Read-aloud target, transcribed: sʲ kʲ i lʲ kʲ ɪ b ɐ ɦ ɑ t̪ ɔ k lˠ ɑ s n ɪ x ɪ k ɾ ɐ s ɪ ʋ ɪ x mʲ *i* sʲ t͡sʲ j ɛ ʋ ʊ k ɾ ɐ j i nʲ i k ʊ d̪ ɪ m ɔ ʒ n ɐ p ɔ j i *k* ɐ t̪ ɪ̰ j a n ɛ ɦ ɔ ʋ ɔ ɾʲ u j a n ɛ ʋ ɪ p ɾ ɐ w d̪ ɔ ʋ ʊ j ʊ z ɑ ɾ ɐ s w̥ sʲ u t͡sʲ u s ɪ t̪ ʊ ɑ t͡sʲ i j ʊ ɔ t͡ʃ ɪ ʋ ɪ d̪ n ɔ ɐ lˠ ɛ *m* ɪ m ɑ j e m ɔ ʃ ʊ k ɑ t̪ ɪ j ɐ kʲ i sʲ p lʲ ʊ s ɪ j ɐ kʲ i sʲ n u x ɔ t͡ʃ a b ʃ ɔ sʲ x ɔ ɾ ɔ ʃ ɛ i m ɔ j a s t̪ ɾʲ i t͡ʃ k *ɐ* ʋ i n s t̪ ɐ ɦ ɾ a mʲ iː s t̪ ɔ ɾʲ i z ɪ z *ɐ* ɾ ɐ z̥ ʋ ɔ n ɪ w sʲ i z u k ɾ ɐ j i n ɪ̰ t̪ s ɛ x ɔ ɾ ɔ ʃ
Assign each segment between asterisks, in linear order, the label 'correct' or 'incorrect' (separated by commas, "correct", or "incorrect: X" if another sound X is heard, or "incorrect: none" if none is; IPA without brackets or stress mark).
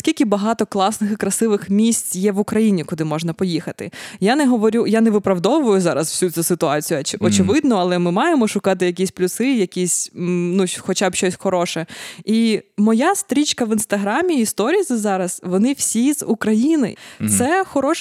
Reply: correct, incorrect: x, correct, correct, incorrect: ɑ